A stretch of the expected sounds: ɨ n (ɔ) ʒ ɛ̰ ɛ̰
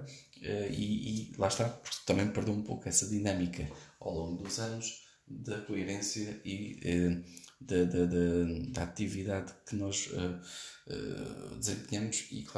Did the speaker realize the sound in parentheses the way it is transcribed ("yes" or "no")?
yes